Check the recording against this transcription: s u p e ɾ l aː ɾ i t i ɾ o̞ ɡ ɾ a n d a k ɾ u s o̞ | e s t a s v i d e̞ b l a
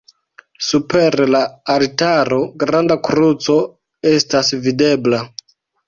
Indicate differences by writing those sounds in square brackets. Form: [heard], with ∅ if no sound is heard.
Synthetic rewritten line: s u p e ɾ l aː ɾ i t [a] ɾ o̞ ɡ ɾ a n d a k ɾ u [t͡s] o̞ | e s t a s v i d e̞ b l a